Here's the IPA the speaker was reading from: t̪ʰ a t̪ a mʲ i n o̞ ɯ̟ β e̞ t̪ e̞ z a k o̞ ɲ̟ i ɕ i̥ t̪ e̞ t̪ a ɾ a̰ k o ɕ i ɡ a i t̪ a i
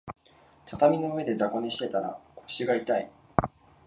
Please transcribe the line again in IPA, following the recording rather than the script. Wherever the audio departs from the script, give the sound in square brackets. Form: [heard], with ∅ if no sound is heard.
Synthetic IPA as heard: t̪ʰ a t̪ a mʲ i n o̞ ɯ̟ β e̞ [d̪] e̞ z a k o̞ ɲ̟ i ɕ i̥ t̪ e̞ t̪ a ɾ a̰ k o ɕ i ɡ a i t̪ a i

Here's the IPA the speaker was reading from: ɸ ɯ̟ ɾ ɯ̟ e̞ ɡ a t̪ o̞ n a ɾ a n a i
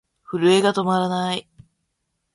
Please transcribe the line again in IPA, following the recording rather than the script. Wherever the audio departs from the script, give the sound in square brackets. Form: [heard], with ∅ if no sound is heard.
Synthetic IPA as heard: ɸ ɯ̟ ɾ ɯ̟ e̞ ɡ a t̪ o̞ [m] a ɾ a n a i

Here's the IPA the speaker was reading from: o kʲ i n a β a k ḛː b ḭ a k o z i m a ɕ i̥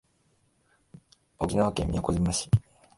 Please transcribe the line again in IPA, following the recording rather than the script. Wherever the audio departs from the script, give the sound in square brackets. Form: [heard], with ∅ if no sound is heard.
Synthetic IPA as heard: o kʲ i n a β a k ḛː [m] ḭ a k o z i m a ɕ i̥

